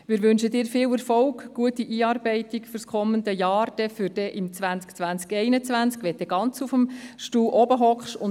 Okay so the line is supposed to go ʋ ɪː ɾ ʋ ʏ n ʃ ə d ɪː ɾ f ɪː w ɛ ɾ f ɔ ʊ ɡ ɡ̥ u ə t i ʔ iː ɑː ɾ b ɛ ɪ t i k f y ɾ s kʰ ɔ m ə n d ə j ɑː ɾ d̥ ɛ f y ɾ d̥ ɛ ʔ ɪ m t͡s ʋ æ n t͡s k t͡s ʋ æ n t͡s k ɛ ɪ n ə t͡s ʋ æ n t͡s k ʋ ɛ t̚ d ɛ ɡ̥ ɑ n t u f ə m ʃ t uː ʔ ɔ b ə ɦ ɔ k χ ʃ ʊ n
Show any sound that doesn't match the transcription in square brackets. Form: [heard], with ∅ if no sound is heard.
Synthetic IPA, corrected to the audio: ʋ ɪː ɾ ʋ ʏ n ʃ ə d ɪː ɾ f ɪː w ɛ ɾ f ɔ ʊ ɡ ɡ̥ u ə t i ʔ iː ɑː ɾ b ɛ ɪ t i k f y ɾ s kʰ ɔ m ə n d ə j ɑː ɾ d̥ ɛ f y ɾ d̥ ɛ ʔ ɪ m t͡s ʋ æ n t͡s k t͡s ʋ æ n t͡s k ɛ ɪ n ə t͡s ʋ æ n t͡s k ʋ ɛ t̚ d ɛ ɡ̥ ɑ n [t͡s] u f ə m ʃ t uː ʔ ɔ b ə ɦ ɔ k χ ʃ ʊ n